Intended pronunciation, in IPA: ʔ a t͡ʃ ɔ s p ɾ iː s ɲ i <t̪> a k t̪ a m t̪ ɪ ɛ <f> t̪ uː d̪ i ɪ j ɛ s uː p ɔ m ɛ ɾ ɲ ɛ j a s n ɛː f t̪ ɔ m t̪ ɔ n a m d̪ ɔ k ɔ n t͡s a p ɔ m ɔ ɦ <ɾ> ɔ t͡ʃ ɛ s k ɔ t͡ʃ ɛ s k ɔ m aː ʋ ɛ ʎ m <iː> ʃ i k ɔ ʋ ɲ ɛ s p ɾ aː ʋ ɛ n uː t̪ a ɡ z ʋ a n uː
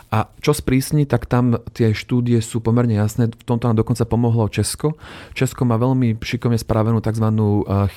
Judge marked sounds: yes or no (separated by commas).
yes, no, no, no